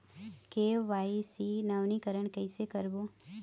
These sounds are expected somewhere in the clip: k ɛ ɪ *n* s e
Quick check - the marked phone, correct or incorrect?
incorrect